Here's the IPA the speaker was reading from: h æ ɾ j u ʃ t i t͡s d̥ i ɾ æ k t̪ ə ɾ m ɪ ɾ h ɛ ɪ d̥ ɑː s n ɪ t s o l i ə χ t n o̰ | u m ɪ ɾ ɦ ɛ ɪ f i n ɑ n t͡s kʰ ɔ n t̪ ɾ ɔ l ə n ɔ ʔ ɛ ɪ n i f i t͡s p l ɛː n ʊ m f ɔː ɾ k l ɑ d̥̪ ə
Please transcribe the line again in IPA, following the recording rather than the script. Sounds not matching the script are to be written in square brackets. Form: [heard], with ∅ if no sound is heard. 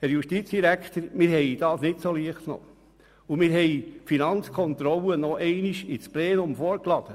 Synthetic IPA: h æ ɾ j u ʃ t i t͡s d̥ i ɾ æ k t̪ ə ɾ m ɪ ɾ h ɛ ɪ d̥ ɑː s n ɪ t s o l i ə χ t n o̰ | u m ɪ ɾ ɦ ɛ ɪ f i n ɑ n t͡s kʰ ɔ n t̪ ɾ ɔ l ə n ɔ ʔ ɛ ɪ n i [ʃ] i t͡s p l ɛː n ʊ m f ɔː ɾ k l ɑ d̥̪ ə